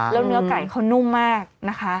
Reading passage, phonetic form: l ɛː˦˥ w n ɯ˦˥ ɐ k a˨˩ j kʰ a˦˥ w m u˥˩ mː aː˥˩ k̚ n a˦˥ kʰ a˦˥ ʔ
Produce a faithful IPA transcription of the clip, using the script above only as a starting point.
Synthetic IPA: l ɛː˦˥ w n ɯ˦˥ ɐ k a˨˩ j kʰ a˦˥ w n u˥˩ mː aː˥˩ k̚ n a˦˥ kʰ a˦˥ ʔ

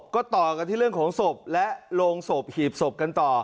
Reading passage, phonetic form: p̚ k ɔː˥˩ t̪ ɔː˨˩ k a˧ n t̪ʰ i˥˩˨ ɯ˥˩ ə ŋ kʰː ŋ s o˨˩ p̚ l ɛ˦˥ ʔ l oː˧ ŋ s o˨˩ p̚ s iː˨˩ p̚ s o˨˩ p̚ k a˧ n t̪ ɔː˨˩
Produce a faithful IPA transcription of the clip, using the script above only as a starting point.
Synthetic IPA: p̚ k ɔː˥˩ t̪ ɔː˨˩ k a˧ n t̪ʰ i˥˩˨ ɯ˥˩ ə ŋ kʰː ŋ s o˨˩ p̚ l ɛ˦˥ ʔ l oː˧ ŋ s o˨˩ p̚ h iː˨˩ p̚ s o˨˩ p̚ k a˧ n t̪ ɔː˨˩

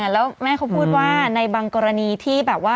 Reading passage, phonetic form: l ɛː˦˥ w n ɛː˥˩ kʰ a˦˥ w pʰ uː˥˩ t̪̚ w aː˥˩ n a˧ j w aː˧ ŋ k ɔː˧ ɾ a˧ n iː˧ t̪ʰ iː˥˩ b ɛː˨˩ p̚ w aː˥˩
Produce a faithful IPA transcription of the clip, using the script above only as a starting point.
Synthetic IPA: l ɛː˦˥ w m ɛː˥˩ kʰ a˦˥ w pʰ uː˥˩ t̪̚ w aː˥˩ n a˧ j b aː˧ ŋ k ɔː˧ ɾ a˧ n iː˧ t̪ʰ iː˥˩ b ɛː˨˩ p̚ w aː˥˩

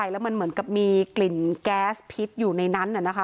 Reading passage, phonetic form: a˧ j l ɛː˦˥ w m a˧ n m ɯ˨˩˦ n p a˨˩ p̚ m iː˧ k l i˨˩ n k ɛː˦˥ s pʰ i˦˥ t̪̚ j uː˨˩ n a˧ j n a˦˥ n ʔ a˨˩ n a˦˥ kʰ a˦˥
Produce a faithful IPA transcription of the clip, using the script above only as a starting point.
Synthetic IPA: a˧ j l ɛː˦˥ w m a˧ n m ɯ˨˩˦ n k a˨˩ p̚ m iː˧ k l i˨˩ n k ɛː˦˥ s pʰ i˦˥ t̪̚ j uː˨˩ n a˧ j n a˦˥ n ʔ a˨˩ n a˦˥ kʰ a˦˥

